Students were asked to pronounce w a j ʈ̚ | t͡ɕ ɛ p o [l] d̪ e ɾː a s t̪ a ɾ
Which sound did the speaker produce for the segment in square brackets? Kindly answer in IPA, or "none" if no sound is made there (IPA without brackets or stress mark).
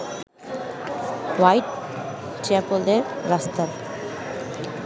l